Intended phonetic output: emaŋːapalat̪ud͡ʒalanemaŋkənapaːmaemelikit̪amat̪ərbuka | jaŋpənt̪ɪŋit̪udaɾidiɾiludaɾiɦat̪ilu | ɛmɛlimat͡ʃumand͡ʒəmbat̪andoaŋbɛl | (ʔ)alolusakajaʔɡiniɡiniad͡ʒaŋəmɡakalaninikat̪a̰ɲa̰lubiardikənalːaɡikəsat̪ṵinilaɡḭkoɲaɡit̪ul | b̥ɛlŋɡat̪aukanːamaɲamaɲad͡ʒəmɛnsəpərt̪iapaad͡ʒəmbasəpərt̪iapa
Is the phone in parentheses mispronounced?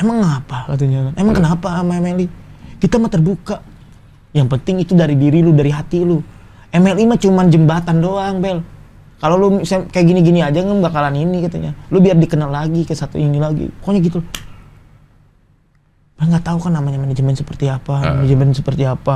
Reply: yes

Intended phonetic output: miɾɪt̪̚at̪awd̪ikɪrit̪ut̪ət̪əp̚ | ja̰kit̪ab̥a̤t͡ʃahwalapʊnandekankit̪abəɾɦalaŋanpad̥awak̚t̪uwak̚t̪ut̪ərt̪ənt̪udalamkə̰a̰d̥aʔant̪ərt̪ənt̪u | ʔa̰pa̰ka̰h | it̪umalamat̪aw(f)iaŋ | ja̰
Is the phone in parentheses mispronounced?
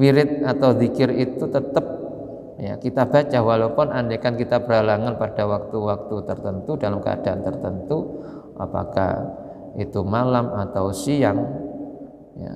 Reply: yes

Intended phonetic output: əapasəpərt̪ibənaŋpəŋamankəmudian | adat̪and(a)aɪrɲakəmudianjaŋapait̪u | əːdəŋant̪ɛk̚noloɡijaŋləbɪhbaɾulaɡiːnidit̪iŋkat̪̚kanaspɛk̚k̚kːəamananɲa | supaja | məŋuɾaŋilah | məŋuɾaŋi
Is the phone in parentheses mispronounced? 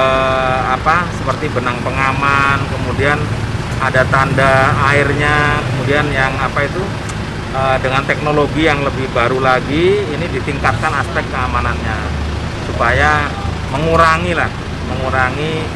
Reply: no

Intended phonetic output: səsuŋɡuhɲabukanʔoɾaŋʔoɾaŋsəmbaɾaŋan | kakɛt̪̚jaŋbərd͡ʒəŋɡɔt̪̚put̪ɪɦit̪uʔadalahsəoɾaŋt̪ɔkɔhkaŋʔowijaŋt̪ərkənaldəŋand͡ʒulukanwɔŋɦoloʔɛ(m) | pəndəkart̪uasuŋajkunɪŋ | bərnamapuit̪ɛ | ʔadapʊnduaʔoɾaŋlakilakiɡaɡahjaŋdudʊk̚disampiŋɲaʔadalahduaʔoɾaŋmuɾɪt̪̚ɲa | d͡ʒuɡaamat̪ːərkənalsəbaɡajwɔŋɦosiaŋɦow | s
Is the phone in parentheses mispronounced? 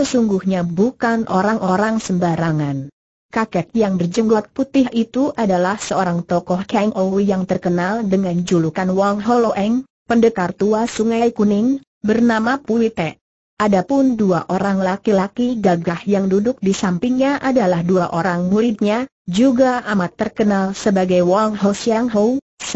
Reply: yes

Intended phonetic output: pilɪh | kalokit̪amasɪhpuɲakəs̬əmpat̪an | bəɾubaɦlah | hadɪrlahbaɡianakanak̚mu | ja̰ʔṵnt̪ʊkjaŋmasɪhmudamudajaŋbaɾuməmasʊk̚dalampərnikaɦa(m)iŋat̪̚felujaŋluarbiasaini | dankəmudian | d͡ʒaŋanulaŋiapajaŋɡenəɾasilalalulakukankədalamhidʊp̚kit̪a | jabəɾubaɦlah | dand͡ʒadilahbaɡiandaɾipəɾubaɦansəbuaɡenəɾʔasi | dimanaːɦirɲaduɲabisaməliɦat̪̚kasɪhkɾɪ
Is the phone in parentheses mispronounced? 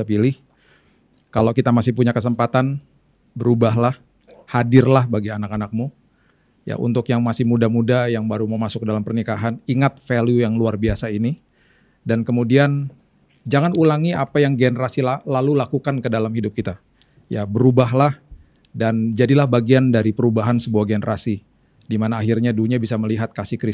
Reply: yes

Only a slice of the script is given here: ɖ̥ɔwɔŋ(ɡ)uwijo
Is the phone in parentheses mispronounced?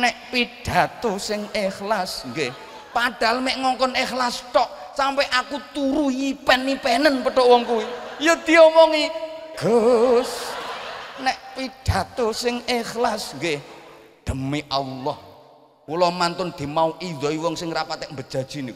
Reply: yes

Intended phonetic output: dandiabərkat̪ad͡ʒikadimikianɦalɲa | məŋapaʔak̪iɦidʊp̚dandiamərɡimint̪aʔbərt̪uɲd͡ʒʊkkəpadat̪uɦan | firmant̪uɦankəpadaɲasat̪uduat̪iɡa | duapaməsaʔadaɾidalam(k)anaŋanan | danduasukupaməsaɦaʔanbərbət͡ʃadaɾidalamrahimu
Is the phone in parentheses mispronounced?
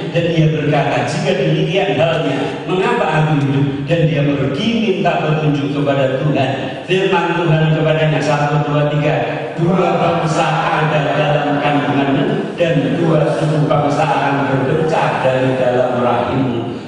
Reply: no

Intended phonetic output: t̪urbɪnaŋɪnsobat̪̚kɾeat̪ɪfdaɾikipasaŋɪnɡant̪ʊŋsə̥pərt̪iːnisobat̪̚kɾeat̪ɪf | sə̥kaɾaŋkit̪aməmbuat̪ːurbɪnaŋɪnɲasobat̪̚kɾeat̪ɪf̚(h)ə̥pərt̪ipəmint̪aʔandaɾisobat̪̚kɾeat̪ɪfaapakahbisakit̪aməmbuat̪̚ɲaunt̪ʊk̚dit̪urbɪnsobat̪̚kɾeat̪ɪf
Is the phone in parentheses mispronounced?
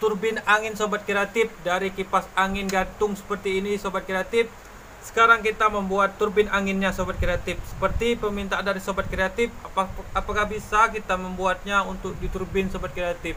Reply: yes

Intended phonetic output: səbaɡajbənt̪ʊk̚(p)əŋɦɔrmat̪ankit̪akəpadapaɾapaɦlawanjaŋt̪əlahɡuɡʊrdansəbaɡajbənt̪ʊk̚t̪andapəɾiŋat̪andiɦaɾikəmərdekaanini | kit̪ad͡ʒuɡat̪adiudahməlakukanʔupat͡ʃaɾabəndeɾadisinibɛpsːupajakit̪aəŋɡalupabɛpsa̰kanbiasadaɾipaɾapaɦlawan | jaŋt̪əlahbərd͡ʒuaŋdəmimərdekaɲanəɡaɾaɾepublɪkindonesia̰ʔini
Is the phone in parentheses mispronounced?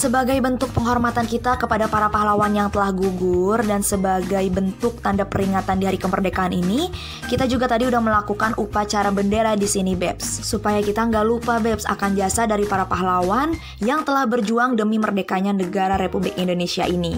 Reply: no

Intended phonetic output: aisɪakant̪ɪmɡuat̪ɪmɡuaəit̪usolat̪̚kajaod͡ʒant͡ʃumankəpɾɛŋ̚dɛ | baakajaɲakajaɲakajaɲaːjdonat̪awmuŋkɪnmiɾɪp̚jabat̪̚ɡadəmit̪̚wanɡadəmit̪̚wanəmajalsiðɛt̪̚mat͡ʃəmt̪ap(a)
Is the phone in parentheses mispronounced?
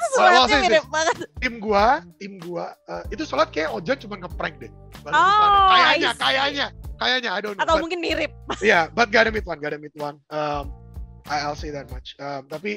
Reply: yes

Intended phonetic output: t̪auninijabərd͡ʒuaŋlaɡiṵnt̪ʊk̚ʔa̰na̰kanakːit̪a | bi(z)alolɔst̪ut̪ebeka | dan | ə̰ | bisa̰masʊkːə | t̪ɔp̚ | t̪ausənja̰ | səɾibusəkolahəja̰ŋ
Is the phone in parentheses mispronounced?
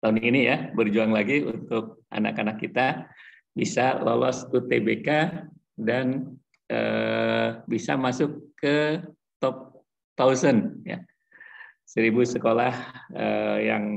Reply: yes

